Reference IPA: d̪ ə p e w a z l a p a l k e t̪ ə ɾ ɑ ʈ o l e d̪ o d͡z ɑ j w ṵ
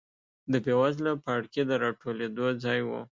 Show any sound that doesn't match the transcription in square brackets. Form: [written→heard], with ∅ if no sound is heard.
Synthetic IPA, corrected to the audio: d̪ ə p e w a z l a p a [l→ɽ] k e [t̪→d̪] ə ɾ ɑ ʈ o l e d̪ o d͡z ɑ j w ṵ